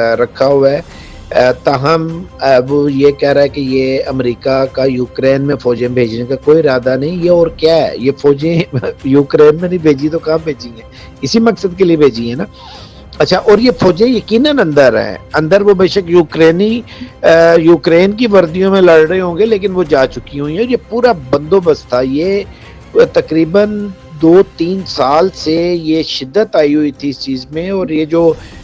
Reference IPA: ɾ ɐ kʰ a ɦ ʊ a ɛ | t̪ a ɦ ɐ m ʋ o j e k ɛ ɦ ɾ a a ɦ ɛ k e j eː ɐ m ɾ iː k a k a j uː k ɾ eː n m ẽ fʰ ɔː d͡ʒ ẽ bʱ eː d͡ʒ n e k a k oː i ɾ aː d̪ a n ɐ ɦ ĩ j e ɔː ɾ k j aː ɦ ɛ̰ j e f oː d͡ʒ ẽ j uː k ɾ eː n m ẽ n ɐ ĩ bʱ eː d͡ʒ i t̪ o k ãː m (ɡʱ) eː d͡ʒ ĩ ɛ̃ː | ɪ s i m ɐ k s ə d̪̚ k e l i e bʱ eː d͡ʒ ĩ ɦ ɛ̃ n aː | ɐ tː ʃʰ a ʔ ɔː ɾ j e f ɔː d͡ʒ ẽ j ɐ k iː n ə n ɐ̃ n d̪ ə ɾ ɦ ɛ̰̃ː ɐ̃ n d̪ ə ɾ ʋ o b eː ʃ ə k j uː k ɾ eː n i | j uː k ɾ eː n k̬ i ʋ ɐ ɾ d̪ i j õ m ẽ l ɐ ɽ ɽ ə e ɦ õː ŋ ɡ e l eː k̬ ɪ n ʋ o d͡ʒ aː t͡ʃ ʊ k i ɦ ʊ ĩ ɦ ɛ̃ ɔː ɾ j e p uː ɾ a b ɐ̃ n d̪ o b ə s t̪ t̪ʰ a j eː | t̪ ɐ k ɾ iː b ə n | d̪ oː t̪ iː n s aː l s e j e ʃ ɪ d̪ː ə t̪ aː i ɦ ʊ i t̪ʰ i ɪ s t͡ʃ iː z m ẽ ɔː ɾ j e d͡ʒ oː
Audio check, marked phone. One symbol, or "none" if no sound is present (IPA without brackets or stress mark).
bʱ